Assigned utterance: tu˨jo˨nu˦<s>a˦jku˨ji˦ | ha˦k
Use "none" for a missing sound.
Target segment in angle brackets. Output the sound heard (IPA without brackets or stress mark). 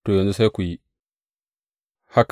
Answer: s